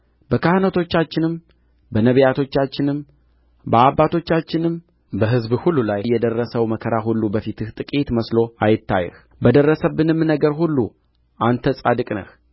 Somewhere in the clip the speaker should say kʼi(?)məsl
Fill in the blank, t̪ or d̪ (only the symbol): t̪